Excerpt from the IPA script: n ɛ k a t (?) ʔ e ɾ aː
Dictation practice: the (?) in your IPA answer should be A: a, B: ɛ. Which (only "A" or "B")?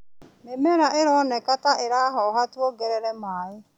A